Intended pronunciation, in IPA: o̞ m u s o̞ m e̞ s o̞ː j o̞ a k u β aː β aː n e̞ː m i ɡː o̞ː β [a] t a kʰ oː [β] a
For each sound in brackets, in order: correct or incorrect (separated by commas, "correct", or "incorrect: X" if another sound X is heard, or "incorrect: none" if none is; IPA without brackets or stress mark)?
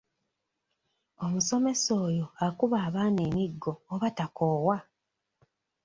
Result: correct, incorrect: w